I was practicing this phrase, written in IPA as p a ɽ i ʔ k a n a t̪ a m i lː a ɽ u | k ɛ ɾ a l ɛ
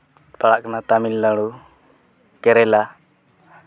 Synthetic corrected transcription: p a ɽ a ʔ k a n a t̪ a m i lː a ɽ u | k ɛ ɾ ɛ l a